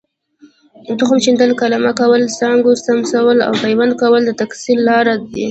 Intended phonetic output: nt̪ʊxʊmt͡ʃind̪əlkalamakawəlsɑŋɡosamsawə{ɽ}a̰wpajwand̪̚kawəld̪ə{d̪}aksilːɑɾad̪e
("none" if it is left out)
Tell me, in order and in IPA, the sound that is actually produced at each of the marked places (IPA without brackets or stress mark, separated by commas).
l, t̪